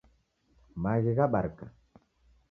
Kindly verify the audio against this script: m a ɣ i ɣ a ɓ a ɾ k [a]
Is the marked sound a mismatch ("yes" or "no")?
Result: no